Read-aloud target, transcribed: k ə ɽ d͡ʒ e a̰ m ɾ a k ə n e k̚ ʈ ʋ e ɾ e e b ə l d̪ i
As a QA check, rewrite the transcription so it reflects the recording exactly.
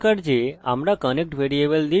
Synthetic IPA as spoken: k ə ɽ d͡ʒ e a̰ m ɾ a k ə n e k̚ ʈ ʋ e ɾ i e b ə l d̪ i